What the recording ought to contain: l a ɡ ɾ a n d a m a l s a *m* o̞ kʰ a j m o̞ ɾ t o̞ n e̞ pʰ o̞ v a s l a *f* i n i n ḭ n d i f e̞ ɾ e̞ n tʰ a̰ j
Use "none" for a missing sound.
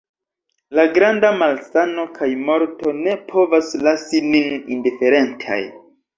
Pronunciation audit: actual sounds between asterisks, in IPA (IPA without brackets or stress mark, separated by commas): n, s